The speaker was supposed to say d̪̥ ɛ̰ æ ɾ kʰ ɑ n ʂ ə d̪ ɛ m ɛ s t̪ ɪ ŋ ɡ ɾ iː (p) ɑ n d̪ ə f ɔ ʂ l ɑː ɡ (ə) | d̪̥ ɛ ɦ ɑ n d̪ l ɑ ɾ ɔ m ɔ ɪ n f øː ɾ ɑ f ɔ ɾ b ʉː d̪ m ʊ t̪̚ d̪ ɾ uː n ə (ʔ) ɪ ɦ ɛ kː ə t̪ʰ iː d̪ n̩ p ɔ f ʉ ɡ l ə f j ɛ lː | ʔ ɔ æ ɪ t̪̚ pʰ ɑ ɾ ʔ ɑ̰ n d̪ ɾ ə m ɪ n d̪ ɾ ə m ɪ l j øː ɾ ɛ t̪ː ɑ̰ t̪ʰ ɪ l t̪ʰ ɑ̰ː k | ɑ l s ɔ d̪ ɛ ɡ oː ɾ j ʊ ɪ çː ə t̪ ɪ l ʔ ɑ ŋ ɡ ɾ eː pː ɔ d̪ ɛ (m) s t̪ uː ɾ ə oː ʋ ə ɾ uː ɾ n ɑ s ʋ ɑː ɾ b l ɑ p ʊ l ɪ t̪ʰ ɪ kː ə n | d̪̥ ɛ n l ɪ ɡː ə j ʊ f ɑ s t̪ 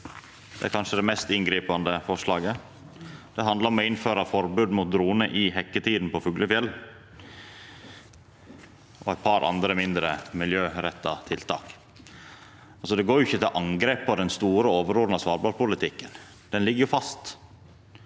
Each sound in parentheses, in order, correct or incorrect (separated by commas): correct, correct, correct, incorrect